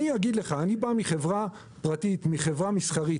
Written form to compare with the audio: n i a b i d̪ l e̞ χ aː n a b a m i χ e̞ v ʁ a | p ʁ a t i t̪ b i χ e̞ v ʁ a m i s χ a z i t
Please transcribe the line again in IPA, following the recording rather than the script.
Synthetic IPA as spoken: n i a ɡ i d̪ l e̞ χ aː n i b a m i χ e̞ v ʁ a | p ʁ a t i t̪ m i χ e̞ v ʁ a m i s χ a ʁ i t